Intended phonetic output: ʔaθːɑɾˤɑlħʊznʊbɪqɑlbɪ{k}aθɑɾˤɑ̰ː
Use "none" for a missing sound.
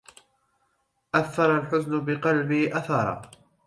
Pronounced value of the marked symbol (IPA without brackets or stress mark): ʔ